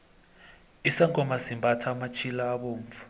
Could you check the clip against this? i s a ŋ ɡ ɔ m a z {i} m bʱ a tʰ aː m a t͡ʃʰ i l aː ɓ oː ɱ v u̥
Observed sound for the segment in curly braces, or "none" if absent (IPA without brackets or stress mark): i